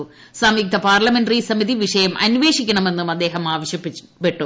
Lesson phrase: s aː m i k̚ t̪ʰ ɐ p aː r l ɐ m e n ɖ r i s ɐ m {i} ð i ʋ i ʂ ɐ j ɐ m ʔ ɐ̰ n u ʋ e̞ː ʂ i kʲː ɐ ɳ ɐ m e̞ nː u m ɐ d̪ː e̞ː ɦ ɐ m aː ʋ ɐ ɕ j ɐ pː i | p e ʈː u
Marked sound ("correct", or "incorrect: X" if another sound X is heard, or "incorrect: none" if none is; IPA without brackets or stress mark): correct